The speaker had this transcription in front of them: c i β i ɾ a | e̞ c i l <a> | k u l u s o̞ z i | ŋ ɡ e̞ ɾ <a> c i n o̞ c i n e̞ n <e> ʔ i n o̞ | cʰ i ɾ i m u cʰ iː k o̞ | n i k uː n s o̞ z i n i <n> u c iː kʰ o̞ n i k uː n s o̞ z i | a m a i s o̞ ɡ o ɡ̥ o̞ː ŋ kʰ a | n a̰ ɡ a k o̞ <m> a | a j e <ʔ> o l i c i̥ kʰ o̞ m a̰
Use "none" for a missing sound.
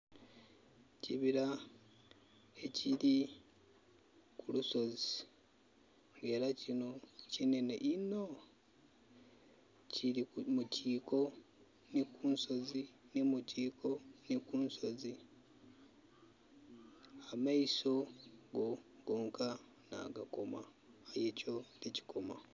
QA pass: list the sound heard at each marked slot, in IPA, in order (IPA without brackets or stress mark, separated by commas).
i, a, e, m, m, c